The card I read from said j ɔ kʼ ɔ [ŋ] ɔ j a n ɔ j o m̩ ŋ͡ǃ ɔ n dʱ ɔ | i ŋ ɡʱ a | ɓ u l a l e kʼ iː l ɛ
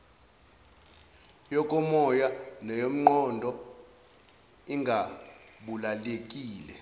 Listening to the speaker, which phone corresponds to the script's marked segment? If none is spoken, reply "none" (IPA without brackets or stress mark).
m